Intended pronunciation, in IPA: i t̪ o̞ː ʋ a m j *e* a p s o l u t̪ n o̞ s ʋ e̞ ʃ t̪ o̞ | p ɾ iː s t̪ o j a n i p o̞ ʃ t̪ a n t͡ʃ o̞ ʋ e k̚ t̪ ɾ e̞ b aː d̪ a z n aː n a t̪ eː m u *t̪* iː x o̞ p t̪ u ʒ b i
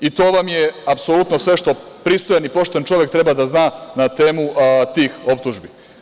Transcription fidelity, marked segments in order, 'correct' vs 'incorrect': correct, correct

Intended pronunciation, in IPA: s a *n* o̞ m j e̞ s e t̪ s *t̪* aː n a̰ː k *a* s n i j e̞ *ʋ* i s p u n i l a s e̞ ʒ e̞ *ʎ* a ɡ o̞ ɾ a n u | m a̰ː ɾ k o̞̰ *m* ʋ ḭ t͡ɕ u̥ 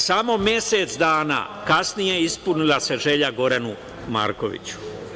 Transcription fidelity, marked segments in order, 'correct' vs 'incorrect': incorrect: m, incorrect: d̪, correct, incorrect: none, correct, incorrect: none

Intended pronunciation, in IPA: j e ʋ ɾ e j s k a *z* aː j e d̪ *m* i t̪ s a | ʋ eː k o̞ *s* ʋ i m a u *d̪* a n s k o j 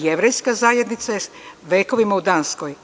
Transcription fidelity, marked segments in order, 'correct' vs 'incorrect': correct, incorrect: n, incorrect: none, correct

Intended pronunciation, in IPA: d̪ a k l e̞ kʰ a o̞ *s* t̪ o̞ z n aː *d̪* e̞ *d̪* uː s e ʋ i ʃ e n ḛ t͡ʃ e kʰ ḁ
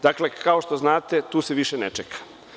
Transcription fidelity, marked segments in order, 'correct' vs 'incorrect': incorrect: ʃ, incorrect: t̪, incorrect: t̪

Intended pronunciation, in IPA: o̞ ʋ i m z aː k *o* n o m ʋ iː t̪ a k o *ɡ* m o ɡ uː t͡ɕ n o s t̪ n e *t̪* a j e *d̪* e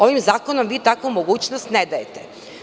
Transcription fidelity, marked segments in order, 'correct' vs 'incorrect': correct, incorrect: none, incorrect: d̪, incorrect: t̪

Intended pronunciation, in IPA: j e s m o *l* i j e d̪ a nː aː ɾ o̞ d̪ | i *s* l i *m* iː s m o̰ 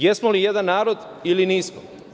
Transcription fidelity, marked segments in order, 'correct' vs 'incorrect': correct, incorrect: none, incorrect: n

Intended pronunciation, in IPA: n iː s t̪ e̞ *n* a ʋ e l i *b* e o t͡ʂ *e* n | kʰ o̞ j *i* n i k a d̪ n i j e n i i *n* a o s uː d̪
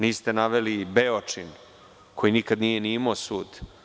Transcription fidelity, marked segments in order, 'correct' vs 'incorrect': correct, correct, incorrect: i, correct, incorrect: m

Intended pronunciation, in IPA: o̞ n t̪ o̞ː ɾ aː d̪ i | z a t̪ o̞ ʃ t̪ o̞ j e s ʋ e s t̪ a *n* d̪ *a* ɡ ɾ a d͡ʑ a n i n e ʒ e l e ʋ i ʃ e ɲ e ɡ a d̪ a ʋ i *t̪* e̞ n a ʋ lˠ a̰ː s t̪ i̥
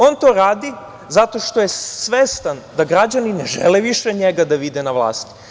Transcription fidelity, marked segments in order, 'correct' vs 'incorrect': correct, correct, incorrect: d̪

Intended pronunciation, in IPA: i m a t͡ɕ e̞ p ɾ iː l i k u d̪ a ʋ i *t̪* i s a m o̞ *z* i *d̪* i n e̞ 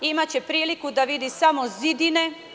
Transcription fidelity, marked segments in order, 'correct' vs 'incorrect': incorrect: d̪, correct, correct

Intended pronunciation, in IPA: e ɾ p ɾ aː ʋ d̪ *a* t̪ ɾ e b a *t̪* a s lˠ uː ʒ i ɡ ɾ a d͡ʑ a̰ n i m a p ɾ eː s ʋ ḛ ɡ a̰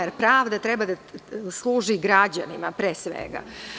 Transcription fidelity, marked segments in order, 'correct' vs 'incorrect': correct, incorrect: d̪

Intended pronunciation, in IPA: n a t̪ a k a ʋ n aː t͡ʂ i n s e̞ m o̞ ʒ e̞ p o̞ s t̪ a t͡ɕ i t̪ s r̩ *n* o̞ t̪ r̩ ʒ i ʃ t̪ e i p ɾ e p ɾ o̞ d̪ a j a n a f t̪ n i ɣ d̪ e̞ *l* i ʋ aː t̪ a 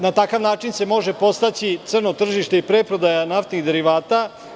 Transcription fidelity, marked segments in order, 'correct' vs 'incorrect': correct, incorrect: ɾ

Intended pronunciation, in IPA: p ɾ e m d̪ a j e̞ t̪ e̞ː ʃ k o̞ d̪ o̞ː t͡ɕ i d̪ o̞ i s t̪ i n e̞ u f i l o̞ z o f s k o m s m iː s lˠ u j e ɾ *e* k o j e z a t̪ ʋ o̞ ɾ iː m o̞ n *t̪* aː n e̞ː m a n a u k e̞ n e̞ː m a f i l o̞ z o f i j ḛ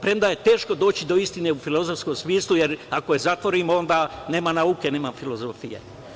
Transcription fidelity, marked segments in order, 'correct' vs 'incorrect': incorrect: a, incorrect: d̪

